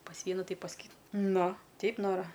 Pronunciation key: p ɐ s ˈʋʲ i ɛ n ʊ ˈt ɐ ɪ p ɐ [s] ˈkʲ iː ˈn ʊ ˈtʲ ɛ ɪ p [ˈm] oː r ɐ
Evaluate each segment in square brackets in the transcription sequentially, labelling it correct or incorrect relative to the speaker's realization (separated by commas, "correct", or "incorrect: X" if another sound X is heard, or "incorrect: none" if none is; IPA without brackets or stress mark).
correct, incorrect: n